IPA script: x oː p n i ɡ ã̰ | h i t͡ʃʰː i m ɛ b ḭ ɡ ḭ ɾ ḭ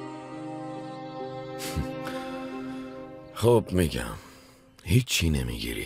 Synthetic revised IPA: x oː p m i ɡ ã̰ | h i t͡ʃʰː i n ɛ m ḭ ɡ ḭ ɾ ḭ

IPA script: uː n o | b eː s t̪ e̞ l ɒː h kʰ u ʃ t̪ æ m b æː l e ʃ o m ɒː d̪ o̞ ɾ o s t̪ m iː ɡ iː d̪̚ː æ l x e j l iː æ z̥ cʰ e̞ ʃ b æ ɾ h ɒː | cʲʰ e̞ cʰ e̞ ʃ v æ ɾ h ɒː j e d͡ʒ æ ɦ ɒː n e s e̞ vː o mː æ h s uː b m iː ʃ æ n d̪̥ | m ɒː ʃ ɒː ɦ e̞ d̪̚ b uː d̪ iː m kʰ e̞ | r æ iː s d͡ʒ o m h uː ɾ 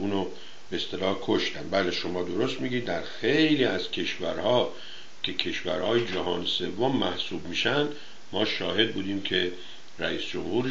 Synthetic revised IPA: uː n o | b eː s t̪ e̞ l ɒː h kʰ o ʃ t̪ æ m b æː l e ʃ o m ɒː d̪ o̞ ɾ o s t̪ m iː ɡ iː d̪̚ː æ ɾ x e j l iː æ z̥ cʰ e̞ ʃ v æ ɾ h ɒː | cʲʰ e̞ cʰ e̞ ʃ v æ ɾ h ɒː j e d͡ʒ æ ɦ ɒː n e s e̞ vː o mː æ h s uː b m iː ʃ æ n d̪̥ | m ɒː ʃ ɒː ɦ e̞ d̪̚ b uː d̪ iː m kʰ e̞ | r æ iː s d͡ʒ o m h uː ɾ

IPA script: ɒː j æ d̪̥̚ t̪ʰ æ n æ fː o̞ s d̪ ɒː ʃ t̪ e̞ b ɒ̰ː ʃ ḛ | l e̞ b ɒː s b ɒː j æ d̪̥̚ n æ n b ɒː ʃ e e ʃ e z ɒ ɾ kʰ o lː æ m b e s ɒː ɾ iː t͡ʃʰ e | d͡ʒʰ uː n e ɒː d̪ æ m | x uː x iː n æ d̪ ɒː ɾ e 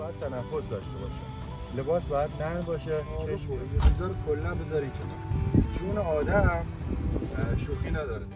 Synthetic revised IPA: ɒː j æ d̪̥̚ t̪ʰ æ n æ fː o̞ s d̪ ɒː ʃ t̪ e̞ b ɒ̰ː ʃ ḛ | l e̞ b ɒː s b ɒː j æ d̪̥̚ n æ n b ɒː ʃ e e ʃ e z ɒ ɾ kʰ o lː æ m b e z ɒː ɾ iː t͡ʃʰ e | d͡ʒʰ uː n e ɒː d̪ æ m | ʃ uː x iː n æ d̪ ɒː ɾ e

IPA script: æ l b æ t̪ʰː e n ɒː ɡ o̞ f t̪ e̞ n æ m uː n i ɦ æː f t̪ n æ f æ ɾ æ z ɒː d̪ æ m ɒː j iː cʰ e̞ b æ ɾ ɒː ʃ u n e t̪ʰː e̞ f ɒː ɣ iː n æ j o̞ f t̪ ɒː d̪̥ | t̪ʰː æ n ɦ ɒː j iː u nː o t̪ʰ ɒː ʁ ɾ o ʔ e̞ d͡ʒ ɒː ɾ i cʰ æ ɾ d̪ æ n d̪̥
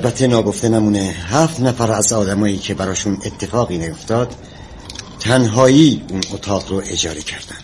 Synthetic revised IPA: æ l b æ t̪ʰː e n ɒː ɡ o̞ f t̪ e̞ n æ m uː n e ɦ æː f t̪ n æ f æ ɾ æ z ɒː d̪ æ m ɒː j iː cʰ e̞ b æ ɾ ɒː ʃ u n e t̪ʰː e̞ f ɒː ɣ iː n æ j o̞ f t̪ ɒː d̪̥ | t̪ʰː æ n ɦ ɒː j iː u n o t̪ʰ ɒː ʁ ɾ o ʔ e̞ d͡ʒ ɒː ɾ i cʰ æ ɾ d̪ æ n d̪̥

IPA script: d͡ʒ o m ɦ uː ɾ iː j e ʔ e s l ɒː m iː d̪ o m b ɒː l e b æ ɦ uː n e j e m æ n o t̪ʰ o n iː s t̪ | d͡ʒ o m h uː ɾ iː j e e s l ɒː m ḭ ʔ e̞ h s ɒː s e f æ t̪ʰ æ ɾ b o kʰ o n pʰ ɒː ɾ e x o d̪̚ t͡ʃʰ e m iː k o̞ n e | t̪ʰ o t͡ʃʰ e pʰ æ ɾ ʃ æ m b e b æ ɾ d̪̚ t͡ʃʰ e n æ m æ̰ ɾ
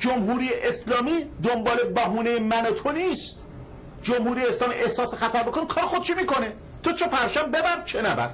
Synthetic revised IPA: d͡ʒ o m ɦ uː ɾ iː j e ʔ e s l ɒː m iː d̪ o m b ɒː l e b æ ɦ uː n e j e m æ n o t̪ʰ o n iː s t̪ | d͡ʒ o m h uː ɾ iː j e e s l ɒː m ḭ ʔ e̞ h s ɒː s e x æ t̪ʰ æ ɾ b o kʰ o n kʰ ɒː ɾ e x o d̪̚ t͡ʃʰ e m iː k o̞ n e | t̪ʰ o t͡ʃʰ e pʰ æ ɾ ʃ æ m b e b æ ɾ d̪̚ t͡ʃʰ e n æ b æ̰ ɾ

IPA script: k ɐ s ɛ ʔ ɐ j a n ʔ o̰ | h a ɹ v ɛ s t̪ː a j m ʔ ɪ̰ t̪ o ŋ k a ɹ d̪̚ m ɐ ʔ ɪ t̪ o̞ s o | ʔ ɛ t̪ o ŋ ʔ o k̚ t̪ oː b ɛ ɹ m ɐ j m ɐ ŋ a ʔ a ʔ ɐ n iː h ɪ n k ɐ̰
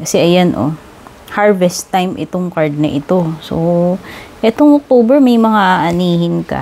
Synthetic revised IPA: k ɐ s ɛ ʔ ɐ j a n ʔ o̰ | h a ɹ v ɛ s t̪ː a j m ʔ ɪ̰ t̪ o ŋ k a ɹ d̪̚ n ɐ ʔ ɪ t̪ o̞ s o | ʔ ɛ t̪ o ŋ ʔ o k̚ t̪ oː b ɛ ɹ m ɐ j m ɐ ŋ a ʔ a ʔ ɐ n iː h ɪ n k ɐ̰

